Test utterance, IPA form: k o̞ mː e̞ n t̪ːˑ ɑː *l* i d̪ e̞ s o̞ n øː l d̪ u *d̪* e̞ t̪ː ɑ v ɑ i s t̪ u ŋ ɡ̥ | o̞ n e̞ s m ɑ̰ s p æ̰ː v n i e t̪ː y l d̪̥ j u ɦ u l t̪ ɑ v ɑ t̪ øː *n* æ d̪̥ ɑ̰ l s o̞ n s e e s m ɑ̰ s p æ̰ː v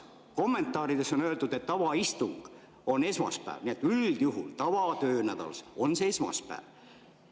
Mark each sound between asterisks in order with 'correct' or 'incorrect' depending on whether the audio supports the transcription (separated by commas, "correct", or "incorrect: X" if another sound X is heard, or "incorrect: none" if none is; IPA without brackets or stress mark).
incorrect: ɾ, correct, correct